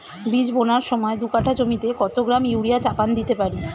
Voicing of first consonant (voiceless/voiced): voiced